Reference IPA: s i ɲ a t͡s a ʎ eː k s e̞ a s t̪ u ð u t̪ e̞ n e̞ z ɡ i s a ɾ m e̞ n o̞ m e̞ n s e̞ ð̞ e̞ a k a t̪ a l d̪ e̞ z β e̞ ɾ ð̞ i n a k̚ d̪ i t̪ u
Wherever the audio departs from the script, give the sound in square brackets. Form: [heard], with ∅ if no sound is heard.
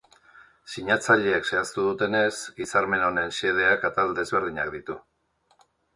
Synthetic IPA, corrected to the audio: s i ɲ a t͡s a ʎ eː k s e̞ a s t̪ u ð u t̪ e̞ n e̞ [s] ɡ i s a ɾ m e̞ n o̞ [n] e̞ n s e̞ ð̞ e̞ a k a t̪ a l d̪ e̞ z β e̞ ɾ ð̞ i [ɲ] a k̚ d̪ i t̪ u